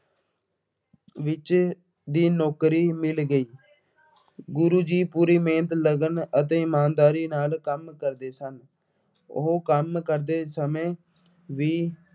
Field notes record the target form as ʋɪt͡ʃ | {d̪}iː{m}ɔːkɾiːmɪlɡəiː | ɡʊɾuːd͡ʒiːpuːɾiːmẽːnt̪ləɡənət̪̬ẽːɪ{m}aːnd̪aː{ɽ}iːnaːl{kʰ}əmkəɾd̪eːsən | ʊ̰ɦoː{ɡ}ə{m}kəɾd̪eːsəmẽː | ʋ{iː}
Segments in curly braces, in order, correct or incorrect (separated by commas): correct, incorrect, correct, incorrect, incorrect, incorrect, correct, correct